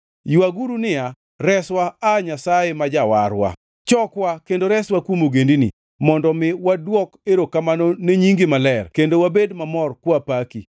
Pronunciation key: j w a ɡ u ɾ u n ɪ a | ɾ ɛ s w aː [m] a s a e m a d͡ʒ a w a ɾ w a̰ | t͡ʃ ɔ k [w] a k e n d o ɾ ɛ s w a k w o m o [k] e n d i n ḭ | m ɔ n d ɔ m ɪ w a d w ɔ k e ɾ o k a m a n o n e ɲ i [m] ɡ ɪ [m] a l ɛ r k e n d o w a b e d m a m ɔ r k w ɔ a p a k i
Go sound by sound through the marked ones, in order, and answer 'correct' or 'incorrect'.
incorrect, correct, incorrect, incorrect, correct

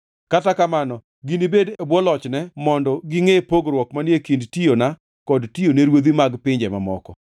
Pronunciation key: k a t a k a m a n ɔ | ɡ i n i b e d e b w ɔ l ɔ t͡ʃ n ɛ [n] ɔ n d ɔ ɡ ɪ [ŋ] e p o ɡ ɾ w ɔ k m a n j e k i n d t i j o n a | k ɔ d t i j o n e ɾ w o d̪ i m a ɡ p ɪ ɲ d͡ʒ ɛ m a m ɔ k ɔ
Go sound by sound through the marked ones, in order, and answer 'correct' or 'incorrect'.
incorrect, correct

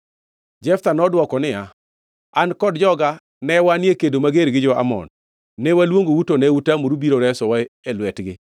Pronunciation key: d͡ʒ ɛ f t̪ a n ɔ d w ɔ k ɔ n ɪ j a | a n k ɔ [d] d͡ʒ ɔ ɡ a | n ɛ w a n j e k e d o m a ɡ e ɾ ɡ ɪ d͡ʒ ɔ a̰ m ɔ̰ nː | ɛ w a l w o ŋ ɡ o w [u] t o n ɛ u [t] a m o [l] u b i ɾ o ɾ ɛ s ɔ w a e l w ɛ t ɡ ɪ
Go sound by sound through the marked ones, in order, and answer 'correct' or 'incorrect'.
correct, correct, correct, incorrect

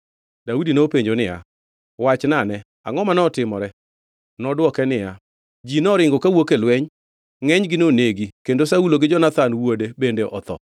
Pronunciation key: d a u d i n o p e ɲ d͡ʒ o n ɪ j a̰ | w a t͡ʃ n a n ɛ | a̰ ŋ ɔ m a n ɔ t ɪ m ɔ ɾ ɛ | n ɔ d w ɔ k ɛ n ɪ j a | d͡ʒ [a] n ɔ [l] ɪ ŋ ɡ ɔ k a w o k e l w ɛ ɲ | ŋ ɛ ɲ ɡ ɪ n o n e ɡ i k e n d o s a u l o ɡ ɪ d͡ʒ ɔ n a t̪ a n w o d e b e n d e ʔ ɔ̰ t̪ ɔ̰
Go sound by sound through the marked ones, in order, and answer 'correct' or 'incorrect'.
incorrect, incorrect

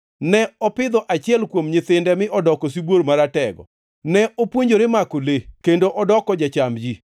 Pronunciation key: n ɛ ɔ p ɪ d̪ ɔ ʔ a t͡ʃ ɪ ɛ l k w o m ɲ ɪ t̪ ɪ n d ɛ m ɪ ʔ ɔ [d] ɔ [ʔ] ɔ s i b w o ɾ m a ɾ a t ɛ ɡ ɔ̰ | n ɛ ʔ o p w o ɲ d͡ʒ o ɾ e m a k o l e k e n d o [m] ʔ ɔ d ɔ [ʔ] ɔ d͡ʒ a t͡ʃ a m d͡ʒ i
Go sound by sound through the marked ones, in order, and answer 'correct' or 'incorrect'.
correct, incorrect, incorrect, incorrect

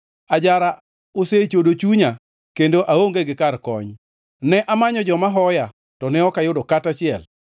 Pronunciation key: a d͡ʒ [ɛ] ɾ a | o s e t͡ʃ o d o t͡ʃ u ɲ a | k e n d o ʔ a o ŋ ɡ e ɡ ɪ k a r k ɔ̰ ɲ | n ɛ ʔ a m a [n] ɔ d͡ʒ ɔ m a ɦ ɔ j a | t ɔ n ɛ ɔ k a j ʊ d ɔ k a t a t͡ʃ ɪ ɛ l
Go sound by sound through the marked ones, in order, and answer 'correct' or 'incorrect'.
incorrect, incorrect

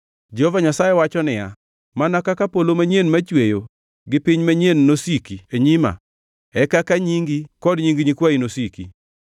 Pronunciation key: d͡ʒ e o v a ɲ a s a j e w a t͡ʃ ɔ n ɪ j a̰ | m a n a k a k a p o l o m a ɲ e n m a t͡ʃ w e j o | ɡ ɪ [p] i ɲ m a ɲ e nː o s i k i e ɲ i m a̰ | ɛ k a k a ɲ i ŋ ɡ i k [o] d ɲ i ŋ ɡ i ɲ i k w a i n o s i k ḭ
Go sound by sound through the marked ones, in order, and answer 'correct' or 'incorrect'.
correct, incorrect

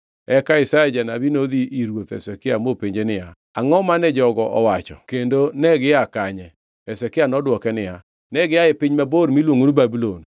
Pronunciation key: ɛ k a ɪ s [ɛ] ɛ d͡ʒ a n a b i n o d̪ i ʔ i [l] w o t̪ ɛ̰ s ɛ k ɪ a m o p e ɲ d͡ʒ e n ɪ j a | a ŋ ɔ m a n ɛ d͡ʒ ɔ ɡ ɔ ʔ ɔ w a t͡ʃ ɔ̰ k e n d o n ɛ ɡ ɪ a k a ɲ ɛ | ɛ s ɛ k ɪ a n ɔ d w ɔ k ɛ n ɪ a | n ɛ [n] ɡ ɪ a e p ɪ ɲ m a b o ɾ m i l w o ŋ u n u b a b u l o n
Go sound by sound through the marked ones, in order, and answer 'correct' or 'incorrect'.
incorrect, incorrect, incorrect

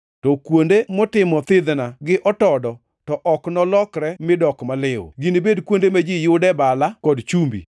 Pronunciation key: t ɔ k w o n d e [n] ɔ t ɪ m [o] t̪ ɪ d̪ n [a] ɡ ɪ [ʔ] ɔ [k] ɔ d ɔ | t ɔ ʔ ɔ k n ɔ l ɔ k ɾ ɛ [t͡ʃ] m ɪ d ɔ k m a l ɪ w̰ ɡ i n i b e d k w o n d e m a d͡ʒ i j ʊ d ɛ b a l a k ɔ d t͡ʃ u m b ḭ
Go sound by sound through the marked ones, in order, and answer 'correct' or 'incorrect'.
incorrect, incorrect, correct, correct, incorrect, incorrect

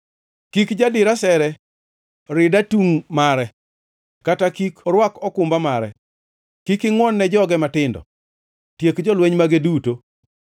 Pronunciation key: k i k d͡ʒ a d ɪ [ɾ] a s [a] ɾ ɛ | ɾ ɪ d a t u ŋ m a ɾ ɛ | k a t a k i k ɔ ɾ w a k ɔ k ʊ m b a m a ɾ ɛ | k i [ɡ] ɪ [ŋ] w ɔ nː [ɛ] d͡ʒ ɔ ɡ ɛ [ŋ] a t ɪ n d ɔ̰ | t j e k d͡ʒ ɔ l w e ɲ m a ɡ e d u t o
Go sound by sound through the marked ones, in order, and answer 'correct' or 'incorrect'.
correct, incorrect, incorrect, correct, correct, incorrect

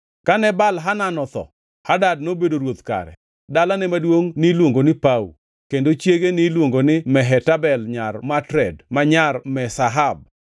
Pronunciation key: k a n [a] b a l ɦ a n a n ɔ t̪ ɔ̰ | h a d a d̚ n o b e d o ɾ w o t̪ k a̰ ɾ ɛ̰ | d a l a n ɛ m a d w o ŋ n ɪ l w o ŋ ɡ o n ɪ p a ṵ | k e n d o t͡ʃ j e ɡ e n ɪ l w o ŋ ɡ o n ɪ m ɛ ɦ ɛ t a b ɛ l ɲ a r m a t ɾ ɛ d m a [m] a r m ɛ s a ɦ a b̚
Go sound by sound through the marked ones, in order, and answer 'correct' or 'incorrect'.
incorrect, incorrect

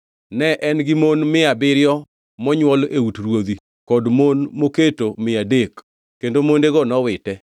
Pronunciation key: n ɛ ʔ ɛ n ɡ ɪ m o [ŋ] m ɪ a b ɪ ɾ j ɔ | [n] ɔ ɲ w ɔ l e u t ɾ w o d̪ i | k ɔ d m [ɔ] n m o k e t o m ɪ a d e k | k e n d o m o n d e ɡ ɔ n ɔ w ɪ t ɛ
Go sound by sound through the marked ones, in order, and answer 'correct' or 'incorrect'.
incorrect, incorrect, incorrect

